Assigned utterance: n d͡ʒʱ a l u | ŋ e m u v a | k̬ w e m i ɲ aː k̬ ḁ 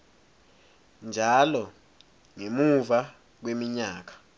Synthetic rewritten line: n d͡ʒʱ a l ɔ | ŋ e m u v a | k̬ w e m i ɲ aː k̬ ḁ